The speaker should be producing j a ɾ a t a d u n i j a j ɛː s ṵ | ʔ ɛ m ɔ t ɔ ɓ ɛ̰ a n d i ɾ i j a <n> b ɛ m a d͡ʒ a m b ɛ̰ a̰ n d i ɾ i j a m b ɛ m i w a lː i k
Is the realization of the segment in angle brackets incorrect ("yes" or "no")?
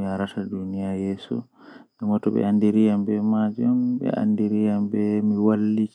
yes